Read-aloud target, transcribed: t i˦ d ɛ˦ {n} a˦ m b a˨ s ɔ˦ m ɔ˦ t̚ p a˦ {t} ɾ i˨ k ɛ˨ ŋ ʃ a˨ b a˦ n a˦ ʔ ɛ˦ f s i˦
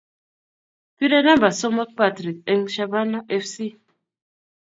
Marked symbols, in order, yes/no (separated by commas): yes, yes